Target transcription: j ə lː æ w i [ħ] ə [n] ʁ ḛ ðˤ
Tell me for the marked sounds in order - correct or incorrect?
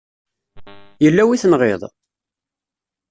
incorrect: θ, correct

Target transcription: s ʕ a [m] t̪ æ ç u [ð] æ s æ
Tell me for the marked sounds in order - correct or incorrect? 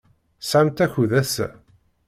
correct, correct

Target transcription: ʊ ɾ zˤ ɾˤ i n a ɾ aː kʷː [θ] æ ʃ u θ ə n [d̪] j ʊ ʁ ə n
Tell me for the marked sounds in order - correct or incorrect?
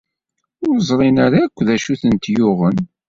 incorrect: ð, incorrect: t̪

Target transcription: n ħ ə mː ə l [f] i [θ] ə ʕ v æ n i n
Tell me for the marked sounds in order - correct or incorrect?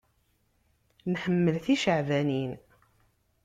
incorrect: θ, incorrect: ʃ

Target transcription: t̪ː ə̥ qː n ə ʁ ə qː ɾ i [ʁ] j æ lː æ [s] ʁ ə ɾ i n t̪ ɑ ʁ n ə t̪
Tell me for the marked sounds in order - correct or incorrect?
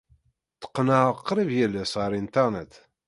incorrect: v, correct

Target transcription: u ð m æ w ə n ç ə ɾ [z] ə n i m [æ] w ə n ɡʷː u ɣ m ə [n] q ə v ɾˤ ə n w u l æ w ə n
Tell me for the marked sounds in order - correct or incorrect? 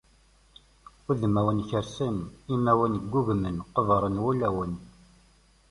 incorrect: s, correct, correct

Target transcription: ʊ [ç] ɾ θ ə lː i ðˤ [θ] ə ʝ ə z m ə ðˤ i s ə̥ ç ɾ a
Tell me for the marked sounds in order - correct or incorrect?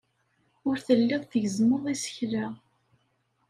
incorrect: none, correct

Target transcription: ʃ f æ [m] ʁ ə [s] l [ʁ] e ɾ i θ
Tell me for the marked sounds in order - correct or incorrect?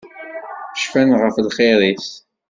incorrect: n, incorrect: f, incorrect: χ

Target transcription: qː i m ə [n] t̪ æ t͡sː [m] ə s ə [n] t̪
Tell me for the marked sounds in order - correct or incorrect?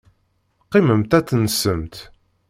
incorrect: m, incorrect: n, incorrect: m

